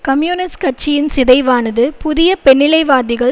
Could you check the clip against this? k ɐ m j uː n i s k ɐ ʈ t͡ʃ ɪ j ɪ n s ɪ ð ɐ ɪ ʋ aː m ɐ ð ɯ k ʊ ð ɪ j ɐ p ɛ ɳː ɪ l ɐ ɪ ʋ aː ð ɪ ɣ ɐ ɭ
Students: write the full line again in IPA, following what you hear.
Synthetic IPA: k ɐ m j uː n ɪ s k ɐ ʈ t͡ʃ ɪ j ɪ n s ɪ ð ɐ ɪ ʋ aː n ɐ ð ɯ p ʊ ð ɪ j ɐ p ɛ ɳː ɪ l ɐ ɪ ʋ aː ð ɪ ɣ ɐ ɭ